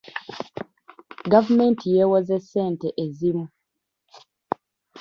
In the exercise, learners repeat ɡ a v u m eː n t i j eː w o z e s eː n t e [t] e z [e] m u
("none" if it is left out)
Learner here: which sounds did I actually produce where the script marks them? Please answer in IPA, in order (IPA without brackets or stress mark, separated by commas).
ʔ, i